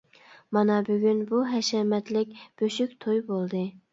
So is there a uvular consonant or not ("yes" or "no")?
no